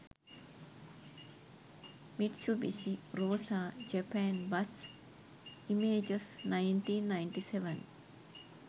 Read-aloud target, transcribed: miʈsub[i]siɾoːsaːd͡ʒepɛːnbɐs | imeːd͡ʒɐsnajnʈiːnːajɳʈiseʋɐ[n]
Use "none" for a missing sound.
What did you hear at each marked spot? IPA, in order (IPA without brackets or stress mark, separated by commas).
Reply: i, n